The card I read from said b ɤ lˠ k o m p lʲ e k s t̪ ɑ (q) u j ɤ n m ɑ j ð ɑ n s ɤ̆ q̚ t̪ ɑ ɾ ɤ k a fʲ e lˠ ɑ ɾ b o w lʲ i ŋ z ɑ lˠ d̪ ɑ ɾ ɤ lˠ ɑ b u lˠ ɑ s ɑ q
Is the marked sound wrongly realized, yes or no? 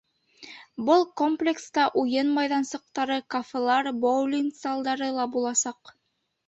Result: yes